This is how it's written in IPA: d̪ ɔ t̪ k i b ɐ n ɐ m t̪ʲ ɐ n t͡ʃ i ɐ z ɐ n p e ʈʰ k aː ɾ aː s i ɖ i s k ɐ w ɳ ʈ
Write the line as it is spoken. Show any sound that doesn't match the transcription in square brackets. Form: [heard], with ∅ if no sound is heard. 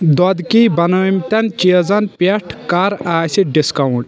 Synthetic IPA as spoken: d̪ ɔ [d̪] k i b ɐ n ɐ m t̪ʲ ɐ n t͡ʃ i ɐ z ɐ n p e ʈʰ k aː ɾ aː s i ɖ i s k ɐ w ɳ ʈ